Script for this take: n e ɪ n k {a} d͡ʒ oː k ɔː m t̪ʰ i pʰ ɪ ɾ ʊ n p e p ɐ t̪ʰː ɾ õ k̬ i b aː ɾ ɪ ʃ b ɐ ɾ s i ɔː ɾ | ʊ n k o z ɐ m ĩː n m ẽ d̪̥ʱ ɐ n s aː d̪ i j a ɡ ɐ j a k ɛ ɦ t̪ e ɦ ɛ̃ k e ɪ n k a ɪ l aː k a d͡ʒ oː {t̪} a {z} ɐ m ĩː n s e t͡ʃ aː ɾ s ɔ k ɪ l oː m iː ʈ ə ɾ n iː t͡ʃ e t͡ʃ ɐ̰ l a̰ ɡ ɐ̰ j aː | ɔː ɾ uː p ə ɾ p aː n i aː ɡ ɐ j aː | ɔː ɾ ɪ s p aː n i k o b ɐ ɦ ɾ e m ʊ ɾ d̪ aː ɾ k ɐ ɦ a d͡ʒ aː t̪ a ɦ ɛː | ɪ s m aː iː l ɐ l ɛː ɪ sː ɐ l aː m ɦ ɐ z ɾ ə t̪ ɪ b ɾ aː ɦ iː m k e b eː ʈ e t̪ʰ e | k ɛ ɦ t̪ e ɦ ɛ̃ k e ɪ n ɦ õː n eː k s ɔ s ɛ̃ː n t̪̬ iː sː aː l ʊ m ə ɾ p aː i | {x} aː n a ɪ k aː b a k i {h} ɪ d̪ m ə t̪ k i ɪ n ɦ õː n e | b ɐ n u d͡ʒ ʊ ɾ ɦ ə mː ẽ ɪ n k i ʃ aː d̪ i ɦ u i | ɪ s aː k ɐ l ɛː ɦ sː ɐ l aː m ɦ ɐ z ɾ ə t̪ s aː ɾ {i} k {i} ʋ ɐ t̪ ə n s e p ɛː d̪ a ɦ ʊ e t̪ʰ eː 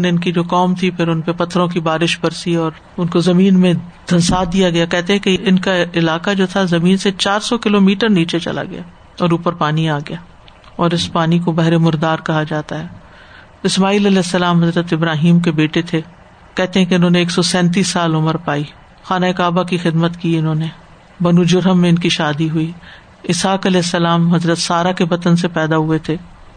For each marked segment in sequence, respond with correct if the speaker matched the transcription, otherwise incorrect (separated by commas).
incorrect, incorrect, correct, correct, incorrect, incorrect, incorrect